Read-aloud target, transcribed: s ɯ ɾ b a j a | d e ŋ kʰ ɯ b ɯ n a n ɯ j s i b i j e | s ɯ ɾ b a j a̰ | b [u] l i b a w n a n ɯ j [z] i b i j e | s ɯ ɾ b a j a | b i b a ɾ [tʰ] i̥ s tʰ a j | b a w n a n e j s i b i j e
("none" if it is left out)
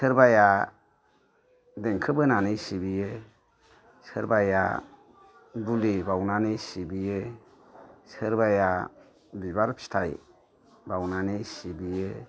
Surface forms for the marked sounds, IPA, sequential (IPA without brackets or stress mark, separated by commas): u, s, pʰ